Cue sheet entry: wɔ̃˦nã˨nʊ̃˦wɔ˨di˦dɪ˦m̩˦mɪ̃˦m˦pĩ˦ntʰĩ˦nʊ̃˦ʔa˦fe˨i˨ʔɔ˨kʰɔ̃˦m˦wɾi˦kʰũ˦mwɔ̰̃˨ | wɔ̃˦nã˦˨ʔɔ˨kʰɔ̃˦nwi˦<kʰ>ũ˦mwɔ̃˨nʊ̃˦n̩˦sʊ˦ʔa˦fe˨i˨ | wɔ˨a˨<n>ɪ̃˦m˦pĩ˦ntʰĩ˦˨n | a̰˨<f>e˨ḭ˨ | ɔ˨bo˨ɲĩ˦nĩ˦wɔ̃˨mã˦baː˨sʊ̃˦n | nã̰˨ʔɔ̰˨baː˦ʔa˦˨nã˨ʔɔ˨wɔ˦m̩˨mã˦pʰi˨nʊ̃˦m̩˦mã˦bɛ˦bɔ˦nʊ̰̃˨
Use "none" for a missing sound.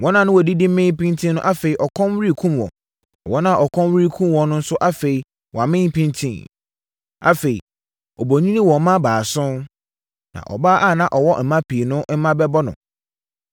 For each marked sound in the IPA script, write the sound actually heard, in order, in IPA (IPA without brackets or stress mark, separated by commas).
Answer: kʰ, m, f